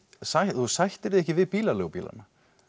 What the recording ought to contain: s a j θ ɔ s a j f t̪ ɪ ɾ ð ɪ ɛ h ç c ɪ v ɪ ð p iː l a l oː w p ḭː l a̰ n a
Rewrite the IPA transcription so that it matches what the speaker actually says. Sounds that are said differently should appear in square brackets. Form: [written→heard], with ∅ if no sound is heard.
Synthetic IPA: s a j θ [ɔ→u] s a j [f→h] t̪ ɪ ɾ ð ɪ ɛ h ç c ɪ v ɪ ð p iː l a l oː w p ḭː l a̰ n a